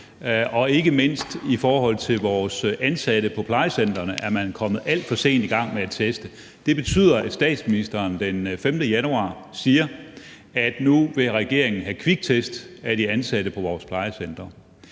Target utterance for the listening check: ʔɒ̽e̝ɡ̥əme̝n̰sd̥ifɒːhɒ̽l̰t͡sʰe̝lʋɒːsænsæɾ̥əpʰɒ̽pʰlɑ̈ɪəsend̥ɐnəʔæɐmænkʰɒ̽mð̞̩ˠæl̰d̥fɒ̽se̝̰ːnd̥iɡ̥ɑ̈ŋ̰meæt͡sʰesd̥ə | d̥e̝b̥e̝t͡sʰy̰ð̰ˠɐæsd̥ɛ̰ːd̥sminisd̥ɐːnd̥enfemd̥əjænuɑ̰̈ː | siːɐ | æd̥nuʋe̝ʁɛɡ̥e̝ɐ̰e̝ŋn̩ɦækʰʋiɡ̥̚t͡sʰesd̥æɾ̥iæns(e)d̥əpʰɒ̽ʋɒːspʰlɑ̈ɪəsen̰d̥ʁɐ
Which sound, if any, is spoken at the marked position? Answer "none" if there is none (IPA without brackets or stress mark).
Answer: æ